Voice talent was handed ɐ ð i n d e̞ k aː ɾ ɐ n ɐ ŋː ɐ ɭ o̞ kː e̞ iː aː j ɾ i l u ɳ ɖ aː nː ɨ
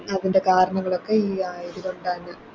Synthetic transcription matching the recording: ɐ ð i n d e̞ k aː ɾ ɐ ɳ ɐ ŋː ɐ ɭ o̞ kː e̞ iː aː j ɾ i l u ɳ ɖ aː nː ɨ